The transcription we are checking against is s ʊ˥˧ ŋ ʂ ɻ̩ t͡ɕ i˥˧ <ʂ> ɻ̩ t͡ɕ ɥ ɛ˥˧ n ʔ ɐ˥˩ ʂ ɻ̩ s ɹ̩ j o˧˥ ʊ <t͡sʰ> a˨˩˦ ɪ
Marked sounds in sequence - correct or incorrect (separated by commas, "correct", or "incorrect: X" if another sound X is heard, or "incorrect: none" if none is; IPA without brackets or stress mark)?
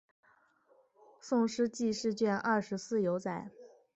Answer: correct, incorrect: t͡s